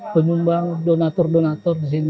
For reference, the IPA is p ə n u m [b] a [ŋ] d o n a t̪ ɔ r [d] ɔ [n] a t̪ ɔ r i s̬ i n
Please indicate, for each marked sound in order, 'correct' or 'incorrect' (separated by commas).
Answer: correct, correct, correct, correct